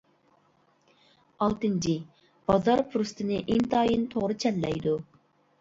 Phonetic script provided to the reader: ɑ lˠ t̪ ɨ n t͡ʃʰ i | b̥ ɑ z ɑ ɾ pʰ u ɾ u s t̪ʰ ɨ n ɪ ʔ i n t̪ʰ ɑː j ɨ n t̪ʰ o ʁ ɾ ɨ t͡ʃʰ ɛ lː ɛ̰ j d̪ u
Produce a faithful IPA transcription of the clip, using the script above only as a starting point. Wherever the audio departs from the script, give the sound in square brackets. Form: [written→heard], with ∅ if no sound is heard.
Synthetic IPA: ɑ lˠ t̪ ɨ n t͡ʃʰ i | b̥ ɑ z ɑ ɾ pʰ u ɾ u s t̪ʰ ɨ n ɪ ʔ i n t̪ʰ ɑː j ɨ n t̪ʰ o ʁ ɾ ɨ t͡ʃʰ ɛ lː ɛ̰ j d̪ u